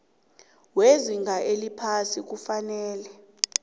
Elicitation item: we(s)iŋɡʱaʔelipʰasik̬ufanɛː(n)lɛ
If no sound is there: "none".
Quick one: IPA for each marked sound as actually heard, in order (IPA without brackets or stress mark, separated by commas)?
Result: z, none